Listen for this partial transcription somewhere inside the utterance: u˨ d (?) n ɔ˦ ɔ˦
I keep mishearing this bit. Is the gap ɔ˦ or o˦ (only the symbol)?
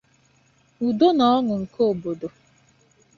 o˦